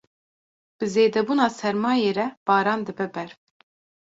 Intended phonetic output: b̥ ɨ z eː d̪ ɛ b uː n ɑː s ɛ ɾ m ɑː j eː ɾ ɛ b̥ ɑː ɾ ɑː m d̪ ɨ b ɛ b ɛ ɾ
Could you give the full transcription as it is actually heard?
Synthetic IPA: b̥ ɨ z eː d̪ ɛ b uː n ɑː s ɛ ɾ m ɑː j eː ɾ ɛ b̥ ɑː ɾ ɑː n d̪ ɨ b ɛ b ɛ ɾ